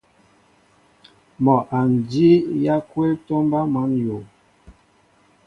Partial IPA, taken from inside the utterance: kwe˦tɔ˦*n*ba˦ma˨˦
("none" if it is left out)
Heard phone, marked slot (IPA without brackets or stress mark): m